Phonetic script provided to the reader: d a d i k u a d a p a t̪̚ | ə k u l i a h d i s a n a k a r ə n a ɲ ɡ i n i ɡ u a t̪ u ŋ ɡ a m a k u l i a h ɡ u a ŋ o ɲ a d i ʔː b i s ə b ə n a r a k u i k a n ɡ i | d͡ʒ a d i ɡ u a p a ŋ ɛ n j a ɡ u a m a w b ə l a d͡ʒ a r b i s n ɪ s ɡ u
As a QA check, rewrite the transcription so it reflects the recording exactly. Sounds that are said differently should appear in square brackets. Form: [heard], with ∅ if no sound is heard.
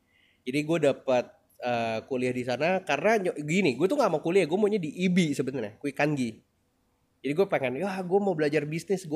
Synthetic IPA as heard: [d͡ʒ] a d i [ɡ] u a d a p a t̪̚ | ə k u l i a h d i s a n a k a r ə n a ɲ ɡ i n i ɡ u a t̪ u ŋ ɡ a m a k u l i a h ɡ u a [m] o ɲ a d i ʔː b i s ə b ə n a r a k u i k a n ɡ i | d͡ʒ a d i ɡ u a p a ŋ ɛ n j a ɡ u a m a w b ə l a d͡ʒ a r b i s n ɪ s ɡ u